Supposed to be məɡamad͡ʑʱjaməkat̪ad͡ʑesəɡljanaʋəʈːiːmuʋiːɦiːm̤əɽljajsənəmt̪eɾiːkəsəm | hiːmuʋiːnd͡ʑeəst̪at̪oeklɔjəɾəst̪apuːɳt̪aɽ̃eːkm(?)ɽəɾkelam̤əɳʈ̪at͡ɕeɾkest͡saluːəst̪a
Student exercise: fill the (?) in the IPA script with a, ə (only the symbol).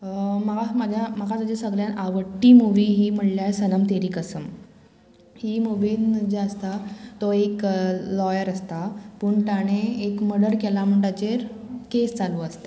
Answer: ə